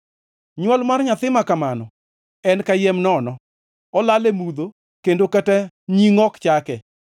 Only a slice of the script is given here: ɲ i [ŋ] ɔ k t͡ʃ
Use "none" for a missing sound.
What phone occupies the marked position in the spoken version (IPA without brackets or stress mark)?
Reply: ŋ